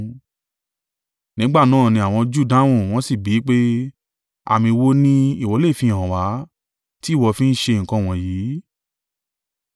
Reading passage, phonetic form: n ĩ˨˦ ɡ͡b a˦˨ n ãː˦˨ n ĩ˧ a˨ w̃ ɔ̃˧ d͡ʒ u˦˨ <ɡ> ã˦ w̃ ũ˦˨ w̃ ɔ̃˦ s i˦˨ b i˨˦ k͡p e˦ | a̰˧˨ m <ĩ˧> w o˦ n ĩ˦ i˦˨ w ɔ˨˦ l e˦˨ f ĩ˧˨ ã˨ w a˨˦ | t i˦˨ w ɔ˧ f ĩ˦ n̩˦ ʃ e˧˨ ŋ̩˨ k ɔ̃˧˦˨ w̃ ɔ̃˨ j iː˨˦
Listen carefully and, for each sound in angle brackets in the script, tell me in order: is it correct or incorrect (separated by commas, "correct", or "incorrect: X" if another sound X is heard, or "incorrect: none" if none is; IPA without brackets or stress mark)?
incorrect: d, correct